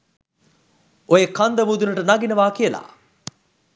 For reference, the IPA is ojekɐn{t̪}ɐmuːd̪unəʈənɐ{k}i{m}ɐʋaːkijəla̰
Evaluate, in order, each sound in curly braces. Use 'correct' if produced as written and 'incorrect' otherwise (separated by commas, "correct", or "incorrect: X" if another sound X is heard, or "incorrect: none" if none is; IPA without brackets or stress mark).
incorrect: d̪, incorrect: ɡ, incorrect: n